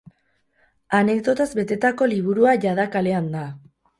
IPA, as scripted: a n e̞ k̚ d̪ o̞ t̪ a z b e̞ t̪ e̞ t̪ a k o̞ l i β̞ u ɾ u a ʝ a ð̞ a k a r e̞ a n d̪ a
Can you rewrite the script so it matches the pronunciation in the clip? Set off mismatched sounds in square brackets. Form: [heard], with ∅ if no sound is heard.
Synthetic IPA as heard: a n e̞ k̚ d̪ o̞ t̪ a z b e̞ t̪ e̞ t̪ a k o̞ l i β̞ u ɾ u a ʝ a ð̞ a k a [l] e̞ a n d̪ a